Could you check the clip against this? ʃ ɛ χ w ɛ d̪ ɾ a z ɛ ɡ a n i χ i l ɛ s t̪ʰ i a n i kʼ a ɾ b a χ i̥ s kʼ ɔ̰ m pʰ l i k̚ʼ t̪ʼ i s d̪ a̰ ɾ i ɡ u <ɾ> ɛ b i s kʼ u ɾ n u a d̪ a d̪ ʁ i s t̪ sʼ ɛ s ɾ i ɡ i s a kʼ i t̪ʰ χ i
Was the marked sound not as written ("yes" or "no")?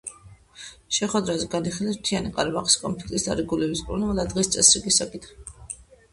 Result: yes